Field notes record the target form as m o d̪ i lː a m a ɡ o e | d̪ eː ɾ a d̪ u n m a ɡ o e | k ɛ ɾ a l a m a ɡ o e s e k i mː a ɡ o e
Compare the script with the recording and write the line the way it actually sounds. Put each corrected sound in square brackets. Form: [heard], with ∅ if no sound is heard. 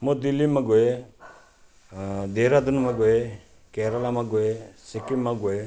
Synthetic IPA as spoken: m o d̪ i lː [i] m a ɡ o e | d̪ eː ɾ a d̪ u n m a ɡ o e | k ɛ ɾ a l a m a ɡ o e s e k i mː a ɡ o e

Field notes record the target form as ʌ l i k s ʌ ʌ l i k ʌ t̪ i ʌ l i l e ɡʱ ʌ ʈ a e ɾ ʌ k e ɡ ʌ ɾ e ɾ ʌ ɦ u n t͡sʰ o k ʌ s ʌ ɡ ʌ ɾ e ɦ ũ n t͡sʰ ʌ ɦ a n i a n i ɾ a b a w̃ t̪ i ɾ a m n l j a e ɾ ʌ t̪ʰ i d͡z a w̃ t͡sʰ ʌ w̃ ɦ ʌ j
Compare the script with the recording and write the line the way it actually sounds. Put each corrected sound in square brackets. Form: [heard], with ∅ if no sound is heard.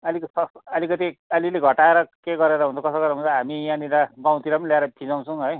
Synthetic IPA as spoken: ʌ l i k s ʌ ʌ l i k ʌ t̪ i ʌ l i l e ɡʱ ʌ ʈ a e ɾ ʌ k e ɡ ʌ ɾ e ɾ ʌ ɦ u n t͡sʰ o k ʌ s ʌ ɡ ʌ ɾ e ɦ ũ n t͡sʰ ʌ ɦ a [m] i a n i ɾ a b a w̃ t̪ i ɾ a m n l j a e ɾ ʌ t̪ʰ i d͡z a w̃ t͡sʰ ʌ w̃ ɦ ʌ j

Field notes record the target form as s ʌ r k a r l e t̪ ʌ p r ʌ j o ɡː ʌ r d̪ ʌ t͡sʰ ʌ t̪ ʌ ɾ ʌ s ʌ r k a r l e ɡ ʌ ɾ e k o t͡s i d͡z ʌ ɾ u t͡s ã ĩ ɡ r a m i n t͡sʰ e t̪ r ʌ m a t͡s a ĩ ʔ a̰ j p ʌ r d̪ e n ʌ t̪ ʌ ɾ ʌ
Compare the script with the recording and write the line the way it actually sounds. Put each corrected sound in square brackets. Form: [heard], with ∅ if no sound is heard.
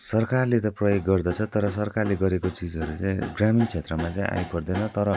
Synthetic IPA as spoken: s ʌ r k a r l e t̪ ʌ p r ʌ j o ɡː ʌ r d̪ ʌ t͡sʰ ʌ t̪ ʌ ɾ ʌ s ʌ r k a r l e ɡ ʌ ɾ e k o t͡s i d͡z ʌ ɾ u t͡s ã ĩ ɡ r a m i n t͡sʰ e t̪ r ʌ m a t͡s a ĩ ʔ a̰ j p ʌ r d̪ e n ʌ t̪ ʌ ɾ ʌ

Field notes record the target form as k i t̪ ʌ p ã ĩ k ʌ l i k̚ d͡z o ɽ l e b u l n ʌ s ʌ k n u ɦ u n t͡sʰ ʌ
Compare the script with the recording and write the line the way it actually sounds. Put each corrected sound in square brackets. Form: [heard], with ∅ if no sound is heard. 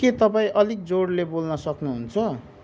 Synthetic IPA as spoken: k [e] t̪ ʌ p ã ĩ [ʔ] ʌ l i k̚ d͡z o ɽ l e b [o] l n ʌ s ʌ k n u ɦ u n t͡sʰ ʌ

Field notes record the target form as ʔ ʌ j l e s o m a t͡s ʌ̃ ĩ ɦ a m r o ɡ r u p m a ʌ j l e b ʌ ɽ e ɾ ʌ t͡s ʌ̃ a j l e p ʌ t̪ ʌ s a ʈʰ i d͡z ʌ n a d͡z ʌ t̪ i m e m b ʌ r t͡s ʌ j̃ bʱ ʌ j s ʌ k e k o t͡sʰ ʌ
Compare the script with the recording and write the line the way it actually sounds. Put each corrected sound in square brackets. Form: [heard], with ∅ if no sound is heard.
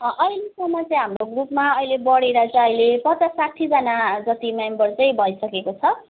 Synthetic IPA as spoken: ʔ ʌ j l e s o m a t͡s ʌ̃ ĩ ɦ a m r o ɡ r u p m a ʌ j l e b ʌ ɽ e ɾ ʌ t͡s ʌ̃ [ʌ] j l e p ʌ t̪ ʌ s a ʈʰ i d͡z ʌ n a d͡z ʌ t̪ i m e m b ʌ r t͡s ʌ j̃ bʱ ʌ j s ʌ k e k o t͡sʰ ʌ

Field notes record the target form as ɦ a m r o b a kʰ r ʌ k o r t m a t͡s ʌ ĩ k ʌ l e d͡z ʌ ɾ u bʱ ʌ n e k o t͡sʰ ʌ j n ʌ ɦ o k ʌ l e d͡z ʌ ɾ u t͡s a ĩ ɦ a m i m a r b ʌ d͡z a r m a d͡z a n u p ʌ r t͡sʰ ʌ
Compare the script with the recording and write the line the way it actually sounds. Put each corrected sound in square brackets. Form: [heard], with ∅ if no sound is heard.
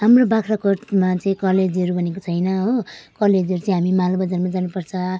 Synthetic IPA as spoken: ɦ a m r o b a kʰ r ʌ k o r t m a t͡s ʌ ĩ k ʌ l e d͡z ʌ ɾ u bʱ ʌ n e k o t͡sʰ ʌ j n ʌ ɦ o k ʌ l e d͡z ʌ ɾ u t͡s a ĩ ɦ a m i m a [l] b ʌ d͡z a r m a d͡z a n u p ʌ r t͡sʰ ʌ

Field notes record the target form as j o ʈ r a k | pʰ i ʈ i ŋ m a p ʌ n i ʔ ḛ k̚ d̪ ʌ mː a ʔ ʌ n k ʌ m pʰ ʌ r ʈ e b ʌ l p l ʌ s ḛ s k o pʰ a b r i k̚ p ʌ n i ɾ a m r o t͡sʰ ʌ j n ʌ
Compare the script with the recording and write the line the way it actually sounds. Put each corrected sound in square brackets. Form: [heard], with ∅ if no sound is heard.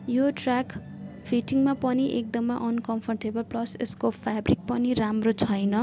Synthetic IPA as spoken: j o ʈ r a k | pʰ i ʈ i ŋ m a p ʌ n i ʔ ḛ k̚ d̪ ʌ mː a ʔ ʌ n k ʌ m pʰ ʌ r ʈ e b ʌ l p l ʌ s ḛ s k o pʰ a b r i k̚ p ʌ n i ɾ a m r o t͡sʰ ʌ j n ʌ

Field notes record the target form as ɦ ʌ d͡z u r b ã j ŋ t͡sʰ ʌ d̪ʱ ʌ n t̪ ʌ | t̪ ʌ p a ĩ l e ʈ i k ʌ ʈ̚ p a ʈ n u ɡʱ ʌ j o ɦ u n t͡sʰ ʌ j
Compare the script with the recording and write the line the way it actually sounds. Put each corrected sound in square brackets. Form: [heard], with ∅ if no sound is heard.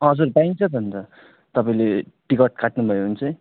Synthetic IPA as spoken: ɦ ʌ d͡z u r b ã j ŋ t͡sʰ ʌ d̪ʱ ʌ n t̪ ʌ | t̪ ʌ p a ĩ l e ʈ i k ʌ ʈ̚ [k] a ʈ n u [bʱ] ʌ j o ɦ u n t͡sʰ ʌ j

